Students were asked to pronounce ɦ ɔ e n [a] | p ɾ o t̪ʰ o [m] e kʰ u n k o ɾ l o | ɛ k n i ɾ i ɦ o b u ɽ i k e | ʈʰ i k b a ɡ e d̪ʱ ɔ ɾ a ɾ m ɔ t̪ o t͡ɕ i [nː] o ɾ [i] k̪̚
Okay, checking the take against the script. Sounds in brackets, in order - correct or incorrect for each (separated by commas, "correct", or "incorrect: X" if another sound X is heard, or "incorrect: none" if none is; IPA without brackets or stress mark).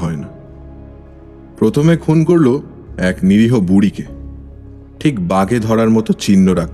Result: correct, correct, correct, incorrect: a